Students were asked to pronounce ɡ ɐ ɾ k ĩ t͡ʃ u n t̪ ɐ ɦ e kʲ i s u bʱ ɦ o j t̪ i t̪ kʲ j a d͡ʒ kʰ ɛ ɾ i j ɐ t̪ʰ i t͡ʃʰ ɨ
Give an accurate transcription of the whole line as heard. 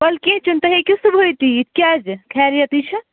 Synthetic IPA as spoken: b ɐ l k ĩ t͡ʃ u n t̪ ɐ ɦ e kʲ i s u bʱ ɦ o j t̪ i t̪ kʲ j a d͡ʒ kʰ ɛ ɾ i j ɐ t̪ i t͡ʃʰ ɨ